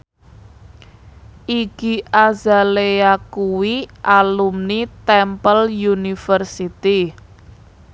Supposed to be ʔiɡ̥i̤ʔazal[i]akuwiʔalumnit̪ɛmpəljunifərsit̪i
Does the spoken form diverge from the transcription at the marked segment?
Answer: yes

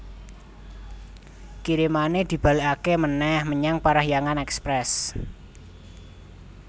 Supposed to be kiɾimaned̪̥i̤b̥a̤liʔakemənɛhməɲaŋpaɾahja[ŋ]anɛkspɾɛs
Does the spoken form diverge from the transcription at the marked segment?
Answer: no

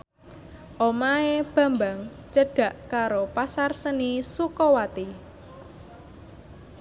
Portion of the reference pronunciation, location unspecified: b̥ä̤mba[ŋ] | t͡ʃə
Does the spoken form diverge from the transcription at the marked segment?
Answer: no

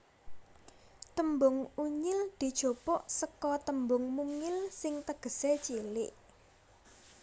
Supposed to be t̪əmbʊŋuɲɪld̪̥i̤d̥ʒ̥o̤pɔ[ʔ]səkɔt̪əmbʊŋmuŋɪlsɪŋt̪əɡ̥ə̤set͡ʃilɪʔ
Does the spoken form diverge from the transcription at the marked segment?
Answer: no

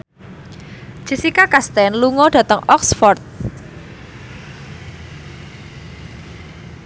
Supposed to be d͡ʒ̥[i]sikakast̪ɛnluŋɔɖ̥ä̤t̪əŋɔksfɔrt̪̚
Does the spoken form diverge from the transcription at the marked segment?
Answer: no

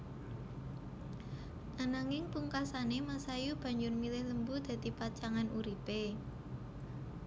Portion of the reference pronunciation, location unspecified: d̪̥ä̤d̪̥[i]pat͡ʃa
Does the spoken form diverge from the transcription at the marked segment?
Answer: no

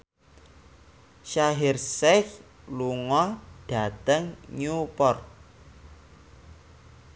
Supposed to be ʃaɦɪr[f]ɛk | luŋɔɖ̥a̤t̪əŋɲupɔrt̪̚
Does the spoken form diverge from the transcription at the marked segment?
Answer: yes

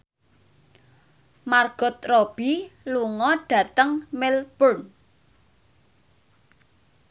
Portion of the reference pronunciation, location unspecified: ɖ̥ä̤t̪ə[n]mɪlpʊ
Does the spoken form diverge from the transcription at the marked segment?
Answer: yes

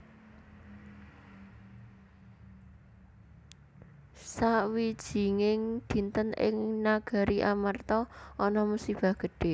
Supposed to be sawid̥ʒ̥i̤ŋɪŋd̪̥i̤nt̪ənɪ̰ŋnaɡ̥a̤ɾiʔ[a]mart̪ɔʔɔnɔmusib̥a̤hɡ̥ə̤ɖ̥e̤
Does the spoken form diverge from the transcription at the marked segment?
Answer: no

